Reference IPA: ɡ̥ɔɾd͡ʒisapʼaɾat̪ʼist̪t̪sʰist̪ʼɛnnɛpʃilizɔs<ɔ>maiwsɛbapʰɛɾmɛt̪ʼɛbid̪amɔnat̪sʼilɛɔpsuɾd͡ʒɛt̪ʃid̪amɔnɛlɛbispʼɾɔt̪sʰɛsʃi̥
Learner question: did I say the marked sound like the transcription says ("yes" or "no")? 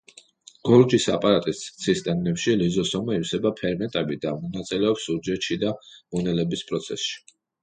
yes